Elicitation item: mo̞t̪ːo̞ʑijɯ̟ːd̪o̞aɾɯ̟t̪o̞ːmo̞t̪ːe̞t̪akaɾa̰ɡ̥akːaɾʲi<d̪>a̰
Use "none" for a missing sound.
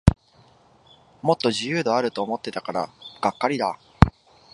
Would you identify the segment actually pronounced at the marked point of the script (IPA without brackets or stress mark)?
d̪